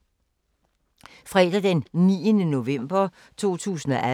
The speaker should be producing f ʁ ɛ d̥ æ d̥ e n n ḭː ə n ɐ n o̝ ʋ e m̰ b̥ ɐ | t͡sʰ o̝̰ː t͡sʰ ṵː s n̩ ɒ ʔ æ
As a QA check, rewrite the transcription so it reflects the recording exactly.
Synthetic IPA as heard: f ʁ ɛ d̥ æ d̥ e n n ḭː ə n ə n o̝ ʋ e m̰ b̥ ɐ | t͡sʰ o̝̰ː t͡sʰ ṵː s n̩ ɒ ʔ æ